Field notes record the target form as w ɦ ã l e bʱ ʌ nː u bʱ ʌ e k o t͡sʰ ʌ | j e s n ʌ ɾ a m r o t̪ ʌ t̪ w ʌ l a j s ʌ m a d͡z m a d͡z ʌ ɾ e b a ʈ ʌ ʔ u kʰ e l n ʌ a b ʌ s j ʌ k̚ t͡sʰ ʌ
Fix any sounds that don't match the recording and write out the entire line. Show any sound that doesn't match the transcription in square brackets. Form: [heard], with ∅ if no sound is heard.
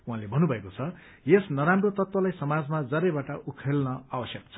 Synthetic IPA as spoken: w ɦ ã l e bʱ ʌ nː u bʱ ʌ e k o t͡sʰ ʌ | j e s n ʌ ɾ a m r o t̪ ʌ t̪ w ʌ l a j s ʌ m a d͡z m a d͡z ʌ ɾ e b a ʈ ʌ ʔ u kʰ e l n ʌ a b ʌ s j ʌ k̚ t͡sʰ ʌ